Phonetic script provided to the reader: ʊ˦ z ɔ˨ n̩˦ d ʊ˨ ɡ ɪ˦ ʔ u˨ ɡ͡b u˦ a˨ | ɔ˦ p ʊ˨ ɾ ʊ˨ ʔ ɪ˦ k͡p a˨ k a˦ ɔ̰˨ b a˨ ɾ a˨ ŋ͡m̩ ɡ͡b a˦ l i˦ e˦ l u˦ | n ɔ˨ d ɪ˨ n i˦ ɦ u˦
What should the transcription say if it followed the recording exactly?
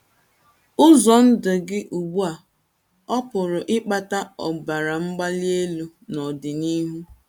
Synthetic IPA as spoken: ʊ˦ z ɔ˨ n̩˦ d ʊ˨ ɡ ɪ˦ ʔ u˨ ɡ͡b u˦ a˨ | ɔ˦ p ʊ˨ ɾ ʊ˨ ʔ ɪ˦ k͡p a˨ t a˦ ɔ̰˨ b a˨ ɾ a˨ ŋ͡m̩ ɡ͡b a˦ l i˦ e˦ l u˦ | n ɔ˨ d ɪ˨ n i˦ ɦ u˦

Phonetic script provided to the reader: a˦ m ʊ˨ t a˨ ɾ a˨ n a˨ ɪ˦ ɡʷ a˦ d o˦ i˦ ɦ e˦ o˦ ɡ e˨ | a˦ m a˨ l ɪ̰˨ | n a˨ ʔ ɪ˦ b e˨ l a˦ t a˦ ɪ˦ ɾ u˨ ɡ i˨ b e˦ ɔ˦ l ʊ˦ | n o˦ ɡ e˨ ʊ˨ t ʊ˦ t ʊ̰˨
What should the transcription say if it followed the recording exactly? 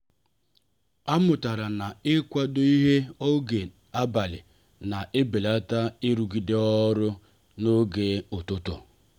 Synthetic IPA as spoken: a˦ m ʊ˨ t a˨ ɾ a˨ n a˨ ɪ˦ kʷ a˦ d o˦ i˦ ɦ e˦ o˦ ɡ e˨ | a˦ b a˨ l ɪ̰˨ | n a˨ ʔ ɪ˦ b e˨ l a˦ t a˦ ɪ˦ ɾ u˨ ɡ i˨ d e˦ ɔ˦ ɾ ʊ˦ | n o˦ ɡ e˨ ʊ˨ t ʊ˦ t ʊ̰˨

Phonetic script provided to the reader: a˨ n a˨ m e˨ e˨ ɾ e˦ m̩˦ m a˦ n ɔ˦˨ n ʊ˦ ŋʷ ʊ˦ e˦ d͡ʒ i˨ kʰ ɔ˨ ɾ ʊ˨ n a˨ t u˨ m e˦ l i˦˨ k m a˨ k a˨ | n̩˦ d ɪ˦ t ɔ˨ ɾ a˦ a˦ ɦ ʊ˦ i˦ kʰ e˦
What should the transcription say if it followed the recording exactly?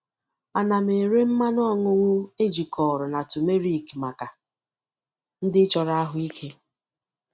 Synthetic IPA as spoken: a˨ n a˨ m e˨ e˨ ɾ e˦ m̩˦ m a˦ n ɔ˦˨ ŋ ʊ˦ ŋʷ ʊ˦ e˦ d͡ʒ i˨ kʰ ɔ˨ ɾ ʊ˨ n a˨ t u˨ m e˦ ɾ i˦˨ k m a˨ k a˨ | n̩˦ d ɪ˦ t͡ʃ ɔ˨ ɾ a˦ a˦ ɦ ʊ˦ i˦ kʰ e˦

